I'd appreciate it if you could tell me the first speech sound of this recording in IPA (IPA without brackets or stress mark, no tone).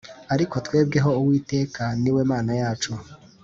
a